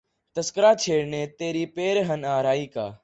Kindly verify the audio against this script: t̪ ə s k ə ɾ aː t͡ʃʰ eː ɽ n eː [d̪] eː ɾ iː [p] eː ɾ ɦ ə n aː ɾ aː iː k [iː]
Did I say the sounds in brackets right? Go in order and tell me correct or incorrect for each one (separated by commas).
incorrect, correct, incorrect